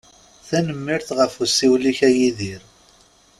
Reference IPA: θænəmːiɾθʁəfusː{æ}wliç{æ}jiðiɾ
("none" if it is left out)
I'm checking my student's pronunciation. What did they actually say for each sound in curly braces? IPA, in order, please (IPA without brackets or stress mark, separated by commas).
i, æ